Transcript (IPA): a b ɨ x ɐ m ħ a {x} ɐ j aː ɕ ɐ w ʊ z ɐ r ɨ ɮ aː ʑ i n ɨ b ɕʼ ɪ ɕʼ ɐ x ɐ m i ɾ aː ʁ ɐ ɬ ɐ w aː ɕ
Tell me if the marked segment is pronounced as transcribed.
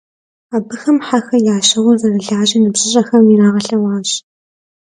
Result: yes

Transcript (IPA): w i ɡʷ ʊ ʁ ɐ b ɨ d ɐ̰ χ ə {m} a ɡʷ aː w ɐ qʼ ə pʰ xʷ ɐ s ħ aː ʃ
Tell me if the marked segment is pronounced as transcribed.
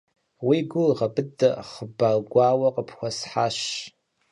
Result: no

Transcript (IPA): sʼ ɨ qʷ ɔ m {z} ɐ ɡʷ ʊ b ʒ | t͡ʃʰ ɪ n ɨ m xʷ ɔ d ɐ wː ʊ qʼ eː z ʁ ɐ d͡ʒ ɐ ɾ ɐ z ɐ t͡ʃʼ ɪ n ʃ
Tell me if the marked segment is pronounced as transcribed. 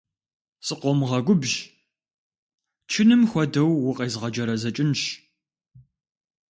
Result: no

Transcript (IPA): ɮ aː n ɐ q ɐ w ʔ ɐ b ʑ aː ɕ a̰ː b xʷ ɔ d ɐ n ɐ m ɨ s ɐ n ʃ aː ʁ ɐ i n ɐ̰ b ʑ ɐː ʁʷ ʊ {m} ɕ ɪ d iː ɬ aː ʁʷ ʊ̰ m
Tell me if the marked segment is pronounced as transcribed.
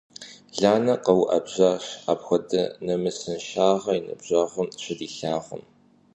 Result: yes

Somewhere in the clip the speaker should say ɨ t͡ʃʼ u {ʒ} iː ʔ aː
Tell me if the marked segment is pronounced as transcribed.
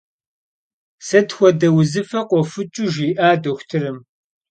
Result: yes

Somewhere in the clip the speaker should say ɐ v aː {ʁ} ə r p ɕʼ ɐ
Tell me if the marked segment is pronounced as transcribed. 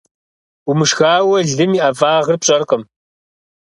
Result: yes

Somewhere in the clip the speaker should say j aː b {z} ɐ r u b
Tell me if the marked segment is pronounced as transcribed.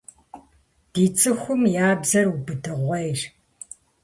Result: yes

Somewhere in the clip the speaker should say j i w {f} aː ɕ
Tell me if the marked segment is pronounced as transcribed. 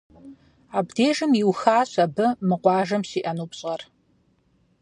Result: no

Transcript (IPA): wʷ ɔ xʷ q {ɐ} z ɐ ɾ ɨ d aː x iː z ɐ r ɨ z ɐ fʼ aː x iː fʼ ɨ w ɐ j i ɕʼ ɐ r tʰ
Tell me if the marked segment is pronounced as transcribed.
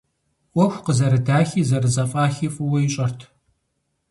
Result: no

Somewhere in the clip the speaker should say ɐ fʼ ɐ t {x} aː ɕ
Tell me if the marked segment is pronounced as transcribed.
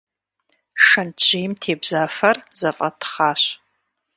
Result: no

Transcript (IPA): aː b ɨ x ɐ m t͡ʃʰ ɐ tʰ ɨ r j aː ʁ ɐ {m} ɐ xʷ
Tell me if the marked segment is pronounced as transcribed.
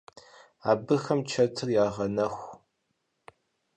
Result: no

